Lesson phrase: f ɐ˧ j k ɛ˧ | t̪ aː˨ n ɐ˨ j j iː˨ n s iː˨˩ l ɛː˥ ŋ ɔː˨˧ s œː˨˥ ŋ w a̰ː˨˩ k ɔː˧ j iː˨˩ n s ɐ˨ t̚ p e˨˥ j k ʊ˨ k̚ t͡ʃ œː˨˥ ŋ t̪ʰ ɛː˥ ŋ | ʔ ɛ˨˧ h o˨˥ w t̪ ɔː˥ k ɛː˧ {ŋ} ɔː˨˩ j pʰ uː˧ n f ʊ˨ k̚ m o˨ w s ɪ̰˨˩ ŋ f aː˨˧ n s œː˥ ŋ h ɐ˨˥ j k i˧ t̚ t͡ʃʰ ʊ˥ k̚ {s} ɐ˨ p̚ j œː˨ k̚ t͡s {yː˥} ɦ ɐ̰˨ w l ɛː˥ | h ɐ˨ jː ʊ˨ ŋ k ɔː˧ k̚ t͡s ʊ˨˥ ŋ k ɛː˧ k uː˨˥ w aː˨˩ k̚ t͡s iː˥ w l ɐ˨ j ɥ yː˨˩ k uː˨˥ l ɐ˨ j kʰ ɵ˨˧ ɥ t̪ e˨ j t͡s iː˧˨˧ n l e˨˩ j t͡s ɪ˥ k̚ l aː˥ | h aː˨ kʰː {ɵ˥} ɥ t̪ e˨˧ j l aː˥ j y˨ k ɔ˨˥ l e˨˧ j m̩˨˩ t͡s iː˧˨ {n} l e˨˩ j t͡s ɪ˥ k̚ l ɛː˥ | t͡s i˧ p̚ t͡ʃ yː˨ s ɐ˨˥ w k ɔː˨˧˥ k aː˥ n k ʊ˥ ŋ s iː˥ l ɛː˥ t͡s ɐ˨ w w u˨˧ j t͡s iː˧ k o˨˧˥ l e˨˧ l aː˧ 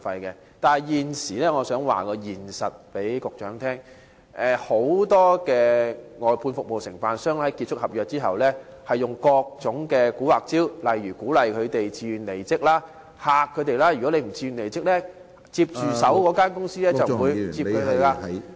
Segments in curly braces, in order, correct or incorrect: correct, incorrect: h, incorrect: iː˥, incorrect: ɵ˨˧, correct

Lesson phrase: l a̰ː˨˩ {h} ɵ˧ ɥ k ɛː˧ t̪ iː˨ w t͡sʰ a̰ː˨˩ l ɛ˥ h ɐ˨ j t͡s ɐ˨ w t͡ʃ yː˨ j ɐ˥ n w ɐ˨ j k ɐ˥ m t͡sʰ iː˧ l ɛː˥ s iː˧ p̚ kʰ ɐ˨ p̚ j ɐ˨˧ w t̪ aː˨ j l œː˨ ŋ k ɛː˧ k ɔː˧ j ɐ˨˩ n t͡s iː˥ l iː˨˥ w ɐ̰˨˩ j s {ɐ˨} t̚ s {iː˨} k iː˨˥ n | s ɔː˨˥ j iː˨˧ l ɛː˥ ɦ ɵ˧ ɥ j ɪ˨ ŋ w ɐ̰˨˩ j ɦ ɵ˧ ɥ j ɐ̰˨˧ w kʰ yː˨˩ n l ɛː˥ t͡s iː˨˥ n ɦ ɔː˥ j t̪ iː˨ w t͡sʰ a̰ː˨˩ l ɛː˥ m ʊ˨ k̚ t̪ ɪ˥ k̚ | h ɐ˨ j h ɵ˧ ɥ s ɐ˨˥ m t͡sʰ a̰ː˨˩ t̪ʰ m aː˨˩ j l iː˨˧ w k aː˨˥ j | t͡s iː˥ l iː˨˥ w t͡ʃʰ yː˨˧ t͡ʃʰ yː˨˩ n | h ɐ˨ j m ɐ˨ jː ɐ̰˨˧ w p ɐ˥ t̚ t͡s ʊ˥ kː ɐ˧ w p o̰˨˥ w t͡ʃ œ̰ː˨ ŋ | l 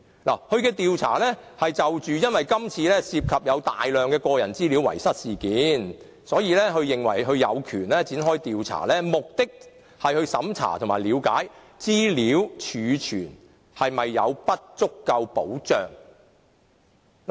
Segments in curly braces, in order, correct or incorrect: correct, incorrect: ɐ˥, correct

